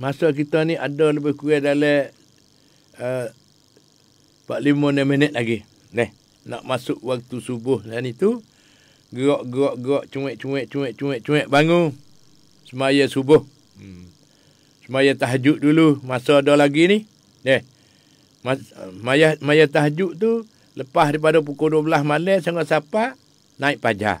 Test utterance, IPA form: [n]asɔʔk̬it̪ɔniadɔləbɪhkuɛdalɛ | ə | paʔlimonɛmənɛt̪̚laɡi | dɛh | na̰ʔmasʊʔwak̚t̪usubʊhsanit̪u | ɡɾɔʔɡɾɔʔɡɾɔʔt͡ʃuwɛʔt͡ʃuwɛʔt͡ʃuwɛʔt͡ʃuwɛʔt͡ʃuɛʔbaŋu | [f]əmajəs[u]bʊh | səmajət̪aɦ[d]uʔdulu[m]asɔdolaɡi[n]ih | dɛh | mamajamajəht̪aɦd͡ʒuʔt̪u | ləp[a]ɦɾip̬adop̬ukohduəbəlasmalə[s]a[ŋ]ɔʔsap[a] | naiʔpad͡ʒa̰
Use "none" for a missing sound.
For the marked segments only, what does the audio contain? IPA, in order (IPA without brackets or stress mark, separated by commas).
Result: m, s, u, d͡ʒ, m, n, a, s, ŋ, a